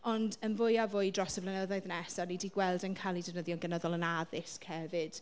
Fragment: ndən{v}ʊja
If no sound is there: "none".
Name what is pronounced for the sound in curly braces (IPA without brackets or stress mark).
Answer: v